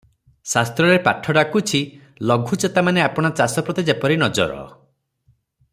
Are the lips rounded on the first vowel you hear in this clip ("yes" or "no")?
no